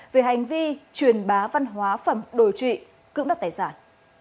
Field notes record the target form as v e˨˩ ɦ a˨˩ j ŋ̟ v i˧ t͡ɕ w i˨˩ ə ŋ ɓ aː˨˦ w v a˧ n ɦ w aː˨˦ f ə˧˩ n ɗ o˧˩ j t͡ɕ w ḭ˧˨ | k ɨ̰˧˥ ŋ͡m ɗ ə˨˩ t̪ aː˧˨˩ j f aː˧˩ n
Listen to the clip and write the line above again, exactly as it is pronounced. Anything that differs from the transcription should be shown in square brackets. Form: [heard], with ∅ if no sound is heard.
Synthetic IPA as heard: v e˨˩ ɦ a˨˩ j ŋ̟ v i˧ t͡ɕ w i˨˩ ə [n] ɓ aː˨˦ [∅] v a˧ n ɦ w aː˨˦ f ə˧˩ [m] ɗ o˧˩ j t͡ɕ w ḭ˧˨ | k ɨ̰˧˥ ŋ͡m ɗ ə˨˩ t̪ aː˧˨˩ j [s] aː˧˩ n